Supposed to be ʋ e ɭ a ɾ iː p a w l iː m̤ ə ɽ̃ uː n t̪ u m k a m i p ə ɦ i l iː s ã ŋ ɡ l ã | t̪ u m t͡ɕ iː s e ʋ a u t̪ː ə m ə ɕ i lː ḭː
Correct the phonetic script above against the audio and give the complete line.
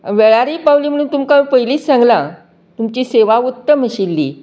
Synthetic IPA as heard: ʋ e ɭ a ɾ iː p a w l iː m̤ ə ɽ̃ uː n t̪ u m k a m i p ə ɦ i l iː s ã ŋ ɡ l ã | t̪ u m t͡ɕ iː s e ʋ a u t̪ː ə m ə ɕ i lː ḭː

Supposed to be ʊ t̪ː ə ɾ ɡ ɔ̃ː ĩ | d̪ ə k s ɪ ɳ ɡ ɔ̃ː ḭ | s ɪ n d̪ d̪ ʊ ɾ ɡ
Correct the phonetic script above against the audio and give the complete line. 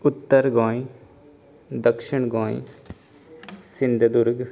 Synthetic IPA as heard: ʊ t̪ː ə ɾ ɡ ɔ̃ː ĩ | d̪ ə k ʃ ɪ ɳ ɡ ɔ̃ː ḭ | s ɪ n d̪ d̪ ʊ ɾ ɡ

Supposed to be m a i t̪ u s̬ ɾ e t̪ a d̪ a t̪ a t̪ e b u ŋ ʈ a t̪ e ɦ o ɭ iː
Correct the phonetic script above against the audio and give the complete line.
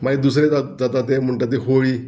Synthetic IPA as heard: m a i d̪ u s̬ ɾ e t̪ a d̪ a t̪ a t̪ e m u ɳ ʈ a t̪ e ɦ o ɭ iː

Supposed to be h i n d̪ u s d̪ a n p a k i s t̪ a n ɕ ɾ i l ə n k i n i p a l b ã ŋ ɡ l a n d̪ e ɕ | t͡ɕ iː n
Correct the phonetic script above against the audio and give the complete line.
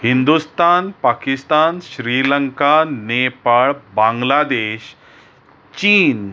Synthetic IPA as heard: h i n d̪ u s t̪ a n p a k i s t̪ a n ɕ ɾ i l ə ŋ k a n e p a ɭ b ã ŋ ɡ l a d̪ e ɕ | t͡ɕ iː n

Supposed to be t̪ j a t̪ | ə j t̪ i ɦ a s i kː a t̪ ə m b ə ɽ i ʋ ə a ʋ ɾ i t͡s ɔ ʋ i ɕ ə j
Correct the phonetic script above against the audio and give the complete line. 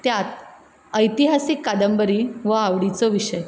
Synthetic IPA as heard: t̪ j a t̪ | ə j t̪ i ɦ a s i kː a d̪ ə m b ə ɾ i ʋ ə a ʋ ɽ i t͡s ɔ ʋ i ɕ ə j

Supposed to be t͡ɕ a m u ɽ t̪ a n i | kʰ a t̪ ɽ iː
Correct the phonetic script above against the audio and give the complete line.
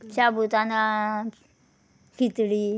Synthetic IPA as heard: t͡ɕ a b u t̪ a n a | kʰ i t̪ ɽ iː

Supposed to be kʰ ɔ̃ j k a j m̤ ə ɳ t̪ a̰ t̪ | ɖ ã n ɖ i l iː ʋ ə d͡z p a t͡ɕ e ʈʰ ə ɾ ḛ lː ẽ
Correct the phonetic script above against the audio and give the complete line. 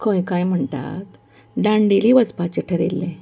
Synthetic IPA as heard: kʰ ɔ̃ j k a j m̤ ə ɳ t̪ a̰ t̪ | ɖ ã ɳ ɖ i l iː ʋ ə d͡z p a t͡ɕ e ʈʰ ə ɾ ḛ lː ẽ

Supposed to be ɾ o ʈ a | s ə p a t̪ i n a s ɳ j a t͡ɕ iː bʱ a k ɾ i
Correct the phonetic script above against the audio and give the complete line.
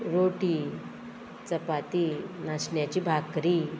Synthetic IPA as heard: ɾ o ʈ i | t͡s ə p a t̪ i n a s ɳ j a t͡ɕ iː bʱ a k ɾ i

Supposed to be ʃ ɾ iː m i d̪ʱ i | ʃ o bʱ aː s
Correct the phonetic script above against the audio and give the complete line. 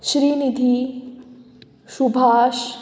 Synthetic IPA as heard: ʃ ɾ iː n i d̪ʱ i | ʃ u bʱ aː ʃ

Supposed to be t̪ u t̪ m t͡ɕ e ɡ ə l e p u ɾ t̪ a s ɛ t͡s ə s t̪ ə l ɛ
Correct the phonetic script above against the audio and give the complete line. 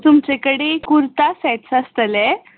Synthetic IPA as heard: t̪ u m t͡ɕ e k ə ɽ e k u ɾ t̪ a s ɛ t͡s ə s t̪ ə l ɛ

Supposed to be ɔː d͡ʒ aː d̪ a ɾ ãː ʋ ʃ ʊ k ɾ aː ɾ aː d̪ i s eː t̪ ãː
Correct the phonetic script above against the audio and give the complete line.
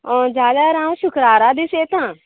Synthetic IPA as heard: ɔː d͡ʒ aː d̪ a ɾ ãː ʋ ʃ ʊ k ɾ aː ɾ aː d̪ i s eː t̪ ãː

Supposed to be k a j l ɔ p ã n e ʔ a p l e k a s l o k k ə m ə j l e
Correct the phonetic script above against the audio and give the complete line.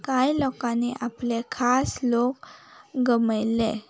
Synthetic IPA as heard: k a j l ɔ k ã n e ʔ a p l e kʰ a s l o k ɡ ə m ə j l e

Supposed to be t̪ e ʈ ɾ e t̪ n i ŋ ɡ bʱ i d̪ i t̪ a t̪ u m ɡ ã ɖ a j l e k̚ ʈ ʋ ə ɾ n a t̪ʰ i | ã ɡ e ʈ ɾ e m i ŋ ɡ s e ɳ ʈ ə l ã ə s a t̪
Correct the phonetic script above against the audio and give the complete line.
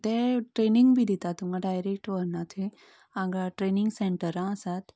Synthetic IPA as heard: t̪ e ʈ ɾ e n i ŋ ɡ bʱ i d̪ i t̪ a t̪ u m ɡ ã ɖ a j ɾ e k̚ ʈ ʋ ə ɾ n a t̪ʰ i | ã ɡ a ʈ ɾ e n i ŋ ɡ s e ɳ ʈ ə ɾ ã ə s a t̪

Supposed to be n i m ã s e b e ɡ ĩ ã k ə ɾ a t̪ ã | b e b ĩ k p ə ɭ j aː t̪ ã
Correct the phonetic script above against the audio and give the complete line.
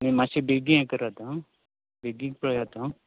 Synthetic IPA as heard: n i m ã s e b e ɡ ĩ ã k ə ɾ a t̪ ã | b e ɡ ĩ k p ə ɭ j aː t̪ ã

